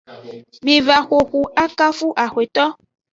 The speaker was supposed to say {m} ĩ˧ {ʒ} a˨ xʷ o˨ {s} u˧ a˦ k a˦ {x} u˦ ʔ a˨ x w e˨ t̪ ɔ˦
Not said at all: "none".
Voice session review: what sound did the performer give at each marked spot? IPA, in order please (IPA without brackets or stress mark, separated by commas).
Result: m, v, x, f